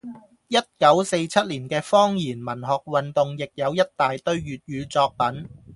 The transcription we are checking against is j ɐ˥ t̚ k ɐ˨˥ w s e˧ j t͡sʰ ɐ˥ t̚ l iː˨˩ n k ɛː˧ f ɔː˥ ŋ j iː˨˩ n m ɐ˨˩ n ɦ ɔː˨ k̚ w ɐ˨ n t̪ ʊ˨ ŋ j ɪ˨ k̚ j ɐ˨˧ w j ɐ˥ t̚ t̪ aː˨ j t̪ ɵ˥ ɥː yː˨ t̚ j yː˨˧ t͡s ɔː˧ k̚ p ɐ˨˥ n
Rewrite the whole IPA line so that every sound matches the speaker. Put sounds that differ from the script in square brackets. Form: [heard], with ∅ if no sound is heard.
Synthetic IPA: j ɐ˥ t̚ k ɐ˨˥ w s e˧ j t͡sʰ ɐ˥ t̚ l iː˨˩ n k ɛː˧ f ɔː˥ ŋ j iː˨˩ n m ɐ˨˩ n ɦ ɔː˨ k̚ w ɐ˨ n t̪ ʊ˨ ŋ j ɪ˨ k̚ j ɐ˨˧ w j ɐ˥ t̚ t̪ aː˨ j t̪ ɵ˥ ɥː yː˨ t̚ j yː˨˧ t͡s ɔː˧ k̚ p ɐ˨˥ n